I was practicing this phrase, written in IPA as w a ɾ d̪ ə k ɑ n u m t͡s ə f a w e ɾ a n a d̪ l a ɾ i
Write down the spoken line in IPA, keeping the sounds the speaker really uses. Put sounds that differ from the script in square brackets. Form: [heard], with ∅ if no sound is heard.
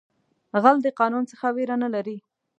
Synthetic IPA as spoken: [ɣ] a [l] d̪ ə [q] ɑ n u [n] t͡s ə [x] a w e ɾ a n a [∅] l a ɾ i